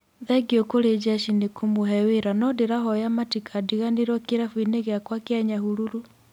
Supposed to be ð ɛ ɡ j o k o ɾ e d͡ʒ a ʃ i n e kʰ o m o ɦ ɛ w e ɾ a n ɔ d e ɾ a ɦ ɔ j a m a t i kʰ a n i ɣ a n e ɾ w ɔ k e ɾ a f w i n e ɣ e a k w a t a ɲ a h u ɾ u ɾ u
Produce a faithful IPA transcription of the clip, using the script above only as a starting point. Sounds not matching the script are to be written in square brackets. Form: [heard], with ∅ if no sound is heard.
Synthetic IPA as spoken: ð ɛ ɡ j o k o ɾ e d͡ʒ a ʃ i n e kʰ o m o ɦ ɛ w e ɾ a n ɔ d e ɾ a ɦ ɔ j a m a t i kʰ a [d] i ɣ a n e ɾ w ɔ k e ɾ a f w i n e ɣ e a k w a [k] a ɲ a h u ɾ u ɾ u